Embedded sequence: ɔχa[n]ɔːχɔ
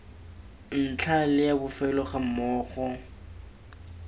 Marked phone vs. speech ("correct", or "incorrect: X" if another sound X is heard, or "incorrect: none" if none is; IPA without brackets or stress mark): incorrect: m